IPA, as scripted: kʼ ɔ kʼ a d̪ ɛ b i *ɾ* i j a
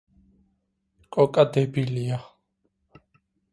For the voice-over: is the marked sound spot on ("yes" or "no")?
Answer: no